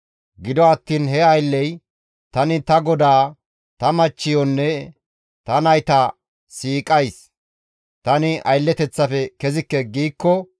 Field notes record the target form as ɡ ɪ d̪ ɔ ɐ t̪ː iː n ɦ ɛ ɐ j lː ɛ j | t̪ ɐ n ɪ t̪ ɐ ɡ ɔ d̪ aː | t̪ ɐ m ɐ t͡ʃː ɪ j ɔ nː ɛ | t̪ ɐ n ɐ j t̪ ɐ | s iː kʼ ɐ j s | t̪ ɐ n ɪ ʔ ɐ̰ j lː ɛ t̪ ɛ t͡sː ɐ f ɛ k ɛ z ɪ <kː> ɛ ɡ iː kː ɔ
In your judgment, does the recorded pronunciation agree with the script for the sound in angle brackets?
yes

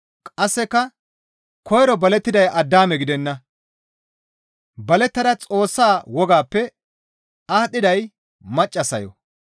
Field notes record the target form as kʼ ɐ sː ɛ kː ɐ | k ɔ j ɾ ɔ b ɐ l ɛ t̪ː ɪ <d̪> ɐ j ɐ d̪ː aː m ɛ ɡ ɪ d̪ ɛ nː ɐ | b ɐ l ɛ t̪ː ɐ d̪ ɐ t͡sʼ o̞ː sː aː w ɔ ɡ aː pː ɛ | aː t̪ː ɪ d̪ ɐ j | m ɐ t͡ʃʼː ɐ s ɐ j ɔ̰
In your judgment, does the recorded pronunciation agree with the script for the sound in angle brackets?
yes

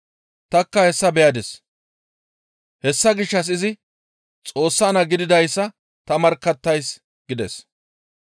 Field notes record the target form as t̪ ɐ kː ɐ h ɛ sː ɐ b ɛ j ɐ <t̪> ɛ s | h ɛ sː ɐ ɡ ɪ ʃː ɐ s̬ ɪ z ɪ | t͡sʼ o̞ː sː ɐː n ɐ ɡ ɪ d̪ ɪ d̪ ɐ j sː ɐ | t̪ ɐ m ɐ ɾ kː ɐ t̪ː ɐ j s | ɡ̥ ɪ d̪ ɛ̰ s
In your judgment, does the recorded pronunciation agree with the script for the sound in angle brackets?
no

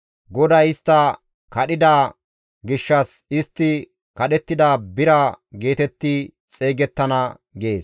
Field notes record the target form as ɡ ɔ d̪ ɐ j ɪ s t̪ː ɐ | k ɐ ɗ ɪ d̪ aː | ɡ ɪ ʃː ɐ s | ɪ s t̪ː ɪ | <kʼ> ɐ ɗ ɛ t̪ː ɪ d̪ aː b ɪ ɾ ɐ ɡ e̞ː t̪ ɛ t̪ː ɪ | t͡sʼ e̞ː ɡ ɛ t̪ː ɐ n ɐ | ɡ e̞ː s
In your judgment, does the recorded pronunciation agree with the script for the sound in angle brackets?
no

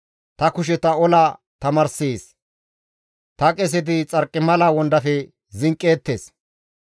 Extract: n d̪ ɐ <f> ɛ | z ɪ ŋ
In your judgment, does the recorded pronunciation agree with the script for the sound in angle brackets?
yes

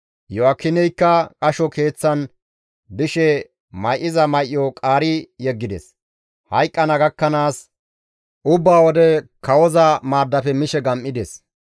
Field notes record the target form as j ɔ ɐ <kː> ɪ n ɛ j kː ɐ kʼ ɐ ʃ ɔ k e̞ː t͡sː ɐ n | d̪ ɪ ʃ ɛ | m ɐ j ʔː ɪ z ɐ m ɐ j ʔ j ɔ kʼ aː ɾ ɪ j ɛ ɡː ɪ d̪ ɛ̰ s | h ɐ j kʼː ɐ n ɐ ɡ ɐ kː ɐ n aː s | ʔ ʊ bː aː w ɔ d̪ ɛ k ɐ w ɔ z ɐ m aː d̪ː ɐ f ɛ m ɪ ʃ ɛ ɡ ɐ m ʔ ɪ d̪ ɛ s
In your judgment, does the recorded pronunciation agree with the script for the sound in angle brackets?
yes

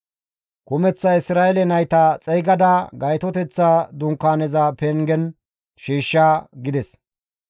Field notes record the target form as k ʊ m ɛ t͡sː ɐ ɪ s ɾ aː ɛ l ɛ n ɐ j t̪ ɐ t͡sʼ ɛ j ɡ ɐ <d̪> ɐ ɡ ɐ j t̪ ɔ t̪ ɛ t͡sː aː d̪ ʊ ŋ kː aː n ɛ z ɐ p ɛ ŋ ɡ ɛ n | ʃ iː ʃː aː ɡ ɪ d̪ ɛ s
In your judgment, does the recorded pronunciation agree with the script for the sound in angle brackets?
yes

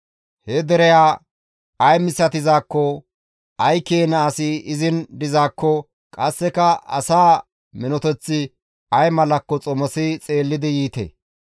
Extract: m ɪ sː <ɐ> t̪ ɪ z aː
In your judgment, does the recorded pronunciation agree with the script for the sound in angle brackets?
yes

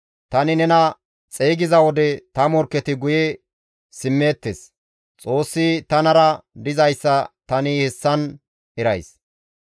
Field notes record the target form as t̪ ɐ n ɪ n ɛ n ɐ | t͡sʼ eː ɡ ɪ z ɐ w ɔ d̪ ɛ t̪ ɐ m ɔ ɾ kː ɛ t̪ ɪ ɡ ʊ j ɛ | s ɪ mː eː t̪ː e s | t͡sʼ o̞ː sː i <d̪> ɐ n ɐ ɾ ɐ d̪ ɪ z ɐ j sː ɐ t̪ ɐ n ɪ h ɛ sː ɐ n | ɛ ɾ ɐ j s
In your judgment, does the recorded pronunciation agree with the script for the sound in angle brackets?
no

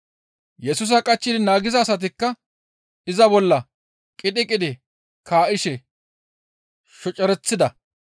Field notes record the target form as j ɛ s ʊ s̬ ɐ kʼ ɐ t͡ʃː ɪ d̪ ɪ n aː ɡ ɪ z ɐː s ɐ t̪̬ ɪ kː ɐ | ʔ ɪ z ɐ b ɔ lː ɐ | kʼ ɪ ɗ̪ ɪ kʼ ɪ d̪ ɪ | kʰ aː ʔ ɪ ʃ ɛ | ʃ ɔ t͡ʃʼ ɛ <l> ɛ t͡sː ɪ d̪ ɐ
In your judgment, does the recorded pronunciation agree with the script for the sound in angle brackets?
no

